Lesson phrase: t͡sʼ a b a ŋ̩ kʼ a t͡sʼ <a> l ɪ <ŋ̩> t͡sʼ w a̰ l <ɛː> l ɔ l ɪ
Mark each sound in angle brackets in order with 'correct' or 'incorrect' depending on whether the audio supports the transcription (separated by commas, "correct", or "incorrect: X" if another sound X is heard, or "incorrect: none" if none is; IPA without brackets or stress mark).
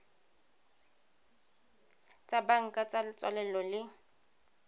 correct, incorrect: none, incorrect: ɛ